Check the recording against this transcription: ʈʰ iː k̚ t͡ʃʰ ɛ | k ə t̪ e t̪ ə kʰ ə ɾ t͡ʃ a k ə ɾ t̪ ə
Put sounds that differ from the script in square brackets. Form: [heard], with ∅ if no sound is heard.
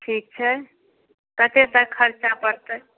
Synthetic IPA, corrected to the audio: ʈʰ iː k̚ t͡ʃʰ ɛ | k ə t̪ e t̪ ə kʰ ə ɾ t͡ʃ a [p] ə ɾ t̪ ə